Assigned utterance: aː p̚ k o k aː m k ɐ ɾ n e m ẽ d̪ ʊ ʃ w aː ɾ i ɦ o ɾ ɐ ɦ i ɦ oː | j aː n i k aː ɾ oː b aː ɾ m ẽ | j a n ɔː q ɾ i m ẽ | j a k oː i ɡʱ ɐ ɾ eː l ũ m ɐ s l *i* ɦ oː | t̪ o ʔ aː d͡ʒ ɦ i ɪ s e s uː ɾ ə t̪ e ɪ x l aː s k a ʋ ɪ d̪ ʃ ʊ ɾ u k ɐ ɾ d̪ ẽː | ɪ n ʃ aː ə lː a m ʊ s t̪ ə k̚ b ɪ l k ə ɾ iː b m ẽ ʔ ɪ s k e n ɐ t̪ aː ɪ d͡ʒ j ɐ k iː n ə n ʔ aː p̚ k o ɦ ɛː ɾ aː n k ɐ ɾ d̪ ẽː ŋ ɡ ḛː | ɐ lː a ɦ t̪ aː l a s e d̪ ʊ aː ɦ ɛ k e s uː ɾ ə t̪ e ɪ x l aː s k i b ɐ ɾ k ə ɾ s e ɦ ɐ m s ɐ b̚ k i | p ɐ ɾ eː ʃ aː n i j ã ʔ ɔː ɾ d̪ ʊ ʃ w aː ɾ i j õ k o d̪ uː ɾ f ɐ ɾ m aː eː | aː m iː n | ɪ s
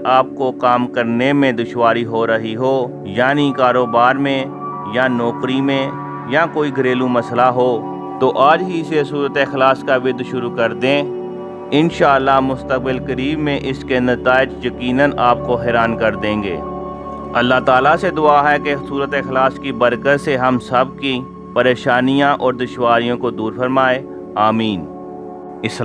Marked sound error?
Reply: yes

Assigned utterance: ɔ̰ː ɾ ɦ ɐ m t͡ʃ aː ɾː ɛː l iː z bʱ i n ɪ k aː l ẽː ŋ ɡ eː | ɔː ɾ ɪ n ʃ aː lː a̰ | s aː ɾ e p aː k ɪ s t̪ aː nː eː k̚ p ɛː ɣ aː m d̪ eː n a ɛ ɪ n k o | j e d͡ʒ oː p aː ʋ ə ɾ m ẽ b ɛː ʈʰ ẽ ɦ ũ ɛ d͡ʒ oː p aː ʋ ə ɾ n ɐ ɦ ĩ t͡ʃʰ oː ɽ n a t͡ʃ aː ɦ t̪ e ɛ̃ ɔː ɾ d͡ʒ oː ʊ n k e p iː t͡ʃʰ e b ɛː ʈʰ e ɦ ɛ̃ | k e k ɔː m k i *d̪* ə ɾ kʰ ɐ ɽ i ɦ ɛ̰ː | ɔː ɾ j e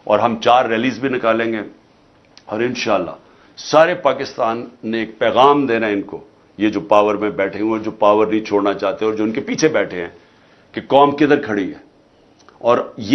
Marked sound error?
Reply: no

